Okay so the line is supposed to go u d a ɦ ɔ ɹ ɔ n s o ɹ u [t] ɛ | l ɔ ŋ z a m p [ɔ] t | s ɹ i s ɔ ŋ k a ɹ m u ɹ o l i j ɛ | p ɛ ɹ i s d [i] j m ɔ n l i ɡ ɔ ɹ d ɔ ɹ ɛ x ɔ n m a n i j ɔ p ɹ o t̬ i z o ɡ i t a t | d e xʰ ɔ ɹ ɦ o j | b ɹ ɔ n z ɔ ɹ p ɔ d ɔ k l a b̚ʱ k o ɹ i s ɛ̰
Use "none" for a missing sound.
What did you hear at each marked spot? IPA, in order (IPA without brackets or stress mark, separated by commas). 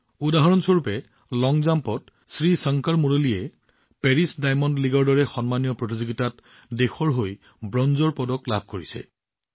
p, ɔ, a